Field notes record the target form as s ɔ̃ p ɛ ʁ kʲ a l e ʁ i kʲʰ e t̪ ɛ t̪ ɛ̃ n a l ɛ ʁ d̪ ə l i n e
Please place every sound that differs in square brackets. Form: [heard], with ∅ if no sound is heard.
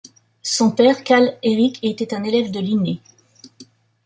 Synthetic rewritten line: s ɔ̃ p ɛ ʁ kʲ a l e ʁ i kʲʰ e t̪ ɛ t̪ ɛ̃ n [e] l ɛ [v] d̪ ə l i n e